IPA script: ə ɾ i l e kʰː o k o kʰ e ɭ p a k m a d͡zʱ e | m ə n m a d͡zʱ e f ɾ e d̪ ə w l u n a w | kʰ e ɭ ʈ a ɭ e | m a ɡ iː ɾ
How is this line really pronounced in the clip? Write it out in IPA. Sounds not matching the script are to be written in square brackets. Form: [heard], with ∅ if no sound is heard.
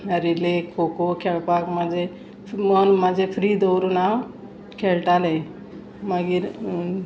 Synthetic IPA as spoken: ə ɾ i l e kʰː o k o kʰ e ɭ p a k m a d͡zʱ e | m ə n m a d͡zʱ e f ɾ [i] d̪ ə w [ɾ] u n a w | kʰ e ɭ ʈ a [l] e | m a ɡ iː ɾ